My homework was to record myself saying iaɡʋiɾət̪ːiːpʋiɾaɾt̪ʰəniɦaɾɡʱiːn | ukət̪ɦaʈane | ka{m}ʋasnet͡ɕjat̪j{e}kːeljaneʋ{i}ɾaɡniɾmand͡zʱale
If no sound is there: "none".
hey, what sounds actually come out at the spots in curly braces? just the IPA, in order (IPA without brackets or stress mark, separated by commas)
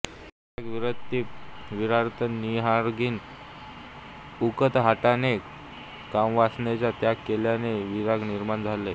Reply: m, a, i